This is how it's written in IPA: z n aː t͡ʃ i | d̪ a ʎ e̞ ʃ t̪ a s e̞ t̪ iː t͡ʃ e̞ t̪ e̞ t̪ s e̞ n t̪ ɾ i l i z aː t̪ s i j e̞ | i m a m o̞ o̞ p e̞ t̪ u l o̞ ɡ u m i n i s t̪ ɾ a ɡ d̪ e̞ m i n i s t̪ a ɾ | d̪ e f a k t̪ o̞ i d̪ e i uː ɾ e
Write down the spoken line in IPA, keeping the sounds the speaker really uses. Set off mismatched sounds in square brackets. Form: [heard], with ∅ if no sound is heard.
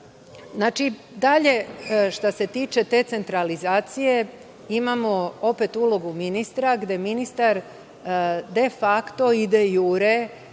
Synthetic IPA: z n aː t͡ʃ i | d̪ a ʎ e̞ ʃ t̪ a s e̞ t̪ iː t͡ʃ e̞ t̪ e̞ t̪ s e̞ n t̪ ɾ [a] l i z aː t̪ s i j e̞ | i m a m o̞ o̞ p e̞ t̪ u l o̞ ɡ u m i n i s t̪ ɾ a ɡ d̪ e̞ m i n i s t̪ a ɾ | d̪ e f a k t̪ o̞ i d̪ e [j] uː ɾ e